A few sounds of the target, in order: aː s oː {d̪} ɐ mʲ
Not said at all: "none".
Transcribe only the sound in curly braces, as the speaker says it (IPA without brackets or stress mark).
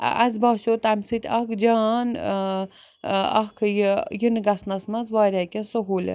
t̪